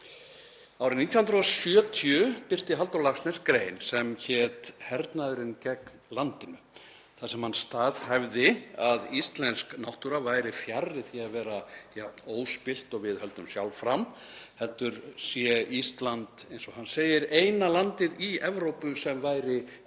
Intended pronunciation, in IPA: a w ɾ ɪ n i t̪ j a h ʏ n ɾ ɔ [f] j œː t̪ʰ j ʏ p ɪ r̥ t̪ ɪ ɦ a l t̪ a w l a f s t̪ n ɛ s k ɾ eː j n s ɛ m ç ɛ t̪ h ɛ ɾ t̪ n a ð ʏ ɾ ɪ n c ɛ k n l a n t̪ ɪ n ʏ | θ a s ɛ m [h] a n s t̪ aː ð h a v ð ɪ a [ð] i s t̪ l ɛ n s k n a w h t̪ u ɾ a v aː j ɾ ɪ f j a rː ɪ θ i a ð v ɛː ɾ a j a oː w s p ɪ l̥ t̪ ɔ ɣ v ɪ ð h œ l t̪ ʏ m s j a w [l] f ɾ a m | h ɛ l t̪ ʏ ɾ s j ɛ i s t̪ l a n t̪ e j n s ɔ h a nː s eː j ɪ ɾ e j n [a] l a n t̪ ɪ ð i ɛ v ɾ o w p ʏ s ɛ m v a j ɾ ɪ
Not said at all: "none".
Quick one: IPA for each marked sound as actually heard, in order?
s, h, ð, l, a

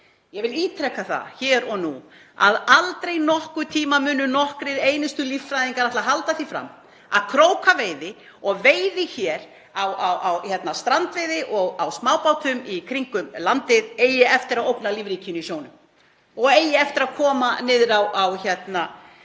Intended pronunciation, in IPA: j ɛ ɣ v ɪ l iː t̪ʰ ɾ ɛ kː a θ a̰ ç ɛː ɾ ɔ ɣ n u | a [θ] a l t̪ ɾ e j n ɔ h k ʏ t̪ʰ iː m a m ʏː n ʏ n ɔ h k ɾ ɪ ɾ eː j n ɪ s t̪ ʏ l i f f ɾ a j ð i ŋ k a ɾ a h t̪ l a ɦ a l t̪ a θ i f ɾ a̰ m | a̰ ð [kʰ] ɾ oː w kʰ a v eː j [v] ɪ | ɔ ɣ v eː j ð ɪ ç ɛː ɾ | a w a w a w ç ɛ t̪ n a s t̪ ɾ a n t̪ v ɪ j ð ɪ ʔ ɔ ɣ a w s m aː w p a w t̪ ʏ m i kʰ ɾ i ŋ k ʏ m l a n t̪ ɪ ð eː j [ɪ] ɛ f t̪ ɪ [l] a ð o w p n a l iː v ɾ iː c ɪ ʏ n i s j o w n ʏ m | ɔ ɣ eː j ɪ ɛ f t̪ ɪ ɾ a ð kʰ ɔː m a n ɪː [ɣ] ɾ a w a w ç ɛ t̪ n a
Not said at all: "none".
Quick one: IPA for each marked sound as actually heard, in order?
ð, kʰ, ð, ɪ, ɾ, ð

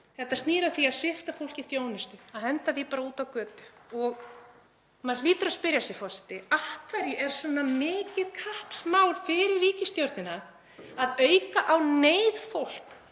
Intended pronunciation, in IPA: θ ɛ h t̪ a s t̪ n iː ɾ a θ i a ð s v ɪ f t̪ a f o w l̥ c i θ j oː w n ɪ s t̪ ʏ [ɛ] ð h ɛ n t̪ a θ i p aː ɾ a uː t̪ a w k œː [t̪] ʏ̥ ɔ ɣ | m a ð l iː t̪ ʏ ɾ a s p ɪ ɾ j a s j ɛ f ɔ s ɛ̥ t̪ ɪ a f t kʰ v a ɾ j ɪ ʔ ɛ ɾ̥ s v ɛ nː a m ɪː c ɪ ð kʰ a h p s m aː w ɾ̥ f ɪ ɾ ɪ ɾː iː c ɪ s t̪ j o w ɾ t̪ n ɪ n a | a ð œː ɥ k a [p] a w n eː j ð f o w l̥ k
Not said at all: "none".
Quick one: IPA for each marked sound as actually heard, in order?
a, t̪, ʔ

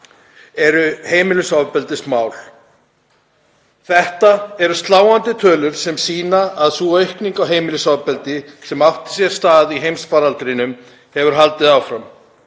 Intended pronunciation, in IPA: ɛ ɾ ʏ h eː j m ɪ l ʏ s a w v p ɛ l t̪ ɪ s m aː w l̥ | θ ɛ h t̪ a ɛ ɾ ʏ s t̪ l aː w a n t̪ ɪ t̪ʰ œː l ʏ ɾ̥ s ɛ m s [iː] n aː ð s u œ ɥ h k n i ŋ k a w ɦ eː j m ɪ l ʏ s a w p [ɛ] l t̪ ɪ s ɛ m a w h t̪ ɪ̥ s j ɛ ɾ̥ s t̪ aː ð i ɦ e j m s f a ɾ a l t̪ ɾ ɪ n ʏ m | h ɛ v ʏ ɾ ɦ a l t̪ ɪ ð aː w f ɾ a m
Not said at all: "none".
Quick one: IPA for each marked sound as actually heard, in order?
iː, ɛ

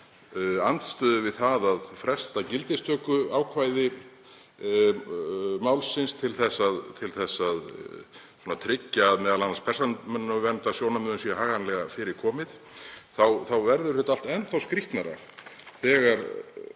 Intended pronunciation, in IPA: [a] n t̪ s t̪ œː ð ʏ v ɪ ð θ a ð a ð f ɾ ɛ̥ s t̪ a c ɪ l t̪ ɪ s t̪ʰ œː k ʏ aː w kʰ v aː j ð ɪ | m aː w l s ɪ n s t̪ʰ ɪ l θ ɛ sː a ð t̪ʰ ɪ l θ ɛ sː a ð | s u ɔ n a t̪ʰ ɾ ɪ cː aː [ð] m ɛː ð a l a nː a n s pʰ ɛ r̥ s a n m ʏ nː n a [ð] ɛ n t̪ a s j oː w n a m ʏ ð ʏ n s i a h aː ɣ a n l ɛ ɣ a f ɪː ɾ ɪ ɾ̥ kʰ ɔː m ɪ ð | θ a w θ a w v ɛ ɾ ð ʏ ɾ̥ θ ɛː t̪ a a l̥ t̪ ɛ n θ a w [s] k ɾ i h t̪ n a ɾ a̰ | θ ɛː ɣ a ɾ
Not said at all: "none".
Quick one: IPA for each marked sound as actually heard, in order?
a, ð, v, s

